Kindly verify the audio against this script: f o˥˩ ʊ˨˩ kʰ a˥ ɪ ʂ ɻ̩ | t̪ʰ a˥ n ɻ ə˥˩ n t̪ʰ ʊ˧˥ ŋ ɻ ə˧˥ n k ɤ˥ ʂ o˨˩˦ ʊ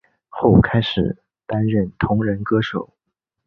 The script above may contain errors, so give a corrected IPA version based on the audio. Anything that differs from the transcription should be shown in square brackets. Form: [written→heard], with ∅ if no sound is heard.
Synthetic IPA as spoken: [f→x] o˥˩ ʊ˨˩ kʰ a˥ ɪ ʂ ɻ̩ | [t̪ʰ→t̪] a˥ n ɻ ə˥˩ n t̪ʰ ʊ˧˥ ŋ ɻ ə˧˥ n k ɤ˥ ʂ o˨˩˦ ʊ